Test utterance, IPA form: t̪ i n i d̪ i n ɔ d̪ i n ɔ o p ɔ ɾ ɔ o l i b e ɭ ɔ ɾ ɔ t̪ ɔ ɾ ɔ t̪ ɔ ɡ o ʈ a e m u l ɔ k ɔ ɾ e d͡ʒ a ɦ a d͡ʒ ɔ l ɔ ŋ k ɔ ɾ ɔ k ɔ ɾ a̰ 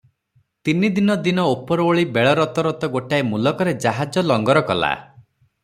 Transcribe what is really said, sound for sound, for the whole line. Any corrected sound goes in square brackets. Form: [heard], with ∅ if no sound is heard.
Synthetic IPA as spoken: t̪ i n i d̪ i n ɔ d̪ i n ɔ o p ɔ ɾ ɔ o [ɭ] i b e ɭ ɔ ɾ ɔ t̪ ɔ ɾ ɔ t̪ ɔ ɡ o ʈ a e m u l ɔ k ɔ ɾ e d͡ʒ a ɦ a d͡ʒ ɔ l ɔ ŋ [ɡ] ɔ ɾ ɔ k ɔ [l] a̰